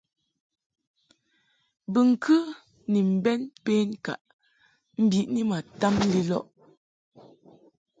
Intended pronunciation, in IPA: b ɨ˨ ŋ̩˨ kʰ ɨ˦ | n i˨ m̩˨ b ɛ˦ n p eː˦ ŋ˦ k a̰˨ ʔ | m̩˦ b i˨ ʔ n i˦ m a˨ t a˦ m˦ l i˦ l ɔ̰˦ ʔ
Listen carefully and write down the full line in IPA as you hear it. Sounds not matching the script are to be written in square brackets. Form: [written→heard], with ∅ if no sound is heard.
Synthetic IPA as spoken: b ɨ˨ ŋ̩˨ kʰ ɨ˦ | n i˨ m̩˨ b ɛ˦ n p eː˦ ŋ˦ k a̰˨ ʔ | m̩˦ b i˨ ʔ n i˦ m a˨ t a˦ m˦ l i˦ l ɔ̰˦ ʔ